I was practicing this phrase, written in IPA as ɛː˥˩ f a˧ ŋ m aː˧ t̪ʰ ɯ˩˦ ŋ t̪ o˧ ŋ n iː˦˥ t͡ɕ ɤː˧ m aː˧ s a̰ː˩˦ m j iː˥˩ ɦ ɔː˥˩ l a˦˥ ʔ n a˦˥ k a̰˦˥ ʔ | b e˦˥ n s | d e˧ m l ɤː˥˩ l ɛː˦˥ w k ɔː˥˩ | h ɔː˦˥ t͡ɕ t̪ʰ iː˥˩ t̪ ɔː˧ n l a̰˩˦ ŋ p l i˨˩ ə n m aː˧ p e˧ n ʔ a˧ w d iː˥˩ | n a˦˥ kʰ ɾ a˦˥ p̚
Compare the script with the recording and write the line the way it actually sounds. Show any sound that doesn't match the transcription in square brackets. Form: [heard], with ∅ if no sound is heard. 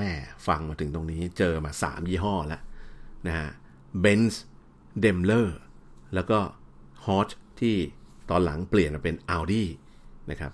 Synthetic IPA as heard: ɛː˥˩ f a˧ ŋ m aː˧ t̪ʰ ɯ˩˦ ŋ t̪ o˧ ŋ n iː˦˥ t͡ɕ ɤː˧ m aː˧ s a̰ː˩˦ m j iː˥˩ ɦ ɔː˥˩ l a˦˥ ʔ n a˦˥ k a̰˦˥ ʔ | b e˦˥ n s | d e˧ m l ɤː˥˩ l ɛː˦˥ w k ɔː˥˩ | h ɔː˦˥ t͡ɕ t̪ʰ iː˥˩ t̪ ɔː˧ n l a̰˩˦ ŋ p l i˨˩ ə n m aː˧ p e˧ n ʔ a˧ w d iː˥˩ | n a˦˥ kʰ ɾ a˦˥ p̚